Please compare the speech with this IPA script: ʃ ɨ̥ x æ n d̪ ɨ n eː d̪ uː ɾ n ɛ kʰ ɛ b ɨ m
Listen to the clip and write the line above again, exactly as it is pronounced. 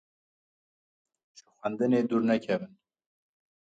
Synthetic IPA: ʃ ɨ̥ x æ n d̪ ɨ n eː d̪ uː ɾ n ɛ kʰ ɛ v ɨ n